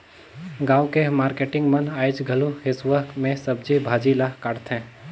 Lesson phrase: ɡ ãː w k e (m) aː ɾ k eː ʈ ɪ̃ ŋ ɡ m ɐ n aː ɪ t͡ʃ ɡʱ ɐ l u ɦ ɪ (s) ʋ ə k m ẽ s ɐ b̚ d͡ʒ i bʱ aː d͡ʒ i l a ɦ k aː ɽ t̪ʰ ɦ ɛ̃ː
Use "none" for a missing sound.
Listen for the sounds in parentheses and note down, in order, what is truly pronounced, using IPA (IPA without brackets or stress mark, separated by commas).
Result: m, s